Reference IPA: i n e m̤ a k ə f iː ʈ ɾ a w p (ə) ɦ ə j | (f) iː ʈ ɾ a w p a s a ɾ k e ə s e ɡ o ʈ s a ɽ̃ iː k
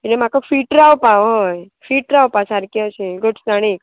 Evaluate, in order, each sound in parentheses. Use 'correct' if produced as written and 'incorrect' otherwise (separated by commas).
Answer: incorrect, correct